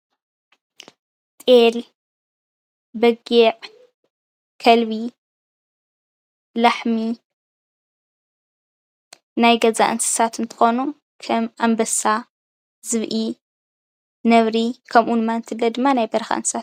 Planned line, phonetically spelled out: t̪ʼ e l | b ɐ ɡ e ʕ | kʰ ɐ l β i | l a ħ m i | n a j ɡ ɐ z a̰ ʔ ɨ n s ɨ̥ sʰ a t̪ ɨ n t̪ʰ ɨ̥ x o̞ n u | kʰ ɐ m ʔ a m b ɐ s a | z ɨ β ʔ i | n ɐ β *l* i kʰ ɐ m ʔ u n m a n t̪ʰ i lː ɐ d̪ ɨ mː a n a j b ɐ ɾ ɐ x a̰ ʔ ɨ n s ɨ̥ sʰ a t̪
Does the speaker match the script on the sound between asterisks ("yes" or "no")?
no